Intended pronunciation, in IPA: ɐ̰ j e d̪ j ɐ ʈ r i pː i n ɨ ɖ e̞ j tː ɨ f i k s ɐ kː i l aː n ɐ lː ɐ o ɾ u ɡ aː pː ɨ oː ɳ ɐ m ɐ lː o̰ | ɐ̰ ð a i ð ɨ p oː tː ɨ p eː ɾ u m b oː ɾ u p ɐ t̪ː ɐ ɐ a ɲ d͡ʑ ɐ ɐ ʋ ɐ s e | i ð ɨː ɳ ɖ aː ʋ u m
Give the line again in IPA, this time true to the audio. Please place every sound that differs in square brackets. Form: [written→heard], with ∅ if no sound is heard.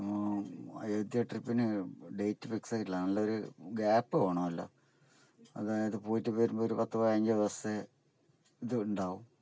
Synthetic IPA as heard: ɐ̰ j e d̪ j ɐ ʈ r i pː i n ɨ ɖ e̞ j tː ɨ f i k s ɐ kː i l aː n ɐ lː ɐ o ɾ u ɡ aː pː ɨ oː ɳ ɐ m ɐ lː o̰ | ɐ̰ ð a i ð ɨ p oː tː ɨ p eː ɾ u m b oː ɾ u p ɐ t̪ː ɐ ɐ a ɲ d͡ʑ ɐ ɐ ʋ ɐ s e | i ð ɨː ɳ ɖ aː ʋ u m